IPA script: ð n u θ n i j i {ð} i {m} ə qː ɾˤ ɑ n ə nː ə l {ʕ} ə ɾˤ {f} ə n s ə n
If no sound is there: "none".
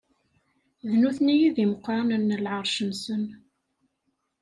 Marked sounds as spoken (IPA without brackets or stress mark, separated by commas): ð, m, ʕ, ʃ